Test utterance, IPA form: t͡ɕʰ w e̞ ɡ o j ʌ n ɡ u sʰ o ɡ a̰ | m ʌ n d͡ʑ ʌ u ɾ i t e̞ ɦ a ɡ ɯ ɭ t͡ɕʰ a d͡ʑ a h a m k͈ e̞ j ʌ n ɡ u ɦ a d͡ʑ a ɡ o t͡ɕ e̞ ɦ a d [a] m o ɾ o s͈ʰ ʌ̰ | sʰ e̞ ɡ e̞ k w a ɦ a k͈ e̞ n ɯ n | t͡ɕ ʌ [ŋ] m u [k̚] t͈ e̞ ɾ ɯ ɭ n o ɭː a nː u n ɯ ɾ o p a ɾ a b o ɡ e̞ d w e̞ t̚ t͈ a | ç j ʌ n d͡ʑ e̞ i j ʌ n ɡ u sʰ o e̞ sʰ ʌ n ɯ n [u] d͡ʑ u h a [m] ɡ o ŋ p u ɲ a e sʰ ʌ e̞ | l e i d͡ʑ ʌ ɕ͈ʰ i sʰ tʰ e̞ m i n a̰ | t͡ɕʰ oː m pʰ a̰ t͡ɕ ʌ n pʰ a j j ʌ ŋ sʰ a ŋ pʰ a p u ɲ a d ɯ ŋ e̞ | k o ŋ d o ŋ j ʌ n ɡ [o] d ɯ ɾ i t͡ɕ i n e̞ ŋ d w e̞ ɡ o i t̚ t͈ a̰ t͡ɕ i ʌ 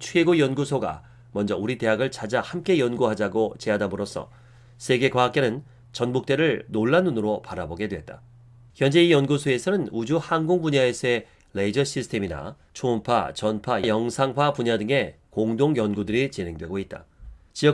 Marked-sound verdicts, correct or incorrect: correct, incorrect: n, correct, correct, incorrect: n, incorrect: u

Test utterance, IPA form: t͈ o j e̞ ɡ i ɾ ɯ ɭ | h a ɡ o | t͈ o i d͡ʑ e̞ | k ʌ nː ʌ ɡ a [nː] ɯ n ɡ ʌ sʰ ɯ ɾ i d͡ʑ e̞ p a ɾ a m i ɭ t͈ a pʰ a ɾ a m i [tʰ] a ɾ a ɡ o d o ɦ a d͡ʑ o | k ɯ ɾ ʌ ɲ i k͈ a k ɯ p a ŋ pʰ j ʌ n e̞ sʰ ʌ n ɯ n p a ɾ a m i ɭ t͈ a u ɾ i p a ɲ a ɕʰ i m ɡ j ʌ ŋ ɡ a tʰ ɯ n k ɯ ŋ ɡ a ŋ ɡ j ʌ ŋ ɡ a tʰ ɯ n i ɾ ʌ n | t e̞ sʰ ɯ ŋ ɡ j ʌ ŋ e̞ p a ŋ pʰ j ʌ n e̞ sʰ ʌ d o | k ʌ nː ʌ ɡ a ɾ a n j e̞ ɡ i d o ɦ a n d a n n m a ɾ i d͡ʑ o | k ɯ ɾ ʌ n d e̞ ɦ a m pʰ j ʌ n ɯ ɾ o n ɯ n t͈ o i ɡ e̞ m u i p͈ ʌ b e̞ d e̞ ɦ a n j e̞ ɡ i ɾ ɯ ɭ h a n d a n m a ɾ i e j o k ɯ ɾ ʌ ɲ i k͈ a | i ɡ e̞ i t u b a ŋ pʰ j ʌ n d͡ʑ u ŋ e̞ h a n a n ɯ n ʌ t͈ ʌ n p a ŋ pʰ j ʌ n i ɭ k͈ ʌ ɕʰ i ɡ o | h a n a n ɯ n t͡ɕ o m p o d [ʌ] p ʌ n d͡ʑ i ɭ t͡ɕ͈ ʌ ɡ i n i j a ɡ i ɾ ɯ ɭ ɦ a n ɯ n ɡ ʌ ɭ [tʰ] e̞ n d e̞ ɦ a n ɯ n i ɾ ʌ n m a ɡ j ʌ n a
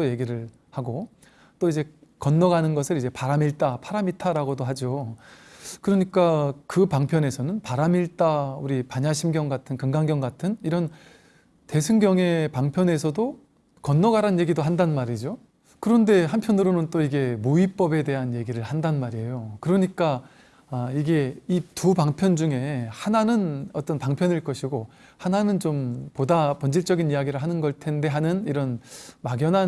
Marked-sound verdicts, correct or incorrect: incorrect: n, correct, incorrect: a, correct

